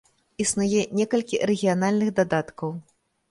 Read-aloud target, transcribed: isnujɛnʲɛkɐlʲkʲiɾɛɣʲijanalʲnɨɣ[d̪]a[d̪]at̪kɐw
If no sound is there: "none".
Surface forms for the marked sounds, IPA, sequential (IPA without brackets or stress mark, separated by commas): d̪, d̪